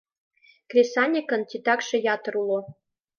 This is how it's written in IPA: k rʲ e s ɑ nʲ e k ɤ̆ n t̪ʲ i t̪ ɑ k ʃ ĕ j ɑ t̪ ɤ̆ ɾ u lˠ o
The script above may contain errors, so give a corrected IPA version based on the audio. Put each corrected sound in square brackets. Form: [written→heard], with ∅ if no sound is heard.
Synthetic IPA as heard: k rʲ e s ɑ nʲ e k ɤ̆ n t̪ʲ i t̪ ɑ k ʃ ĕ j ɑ t̪ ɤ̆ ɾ u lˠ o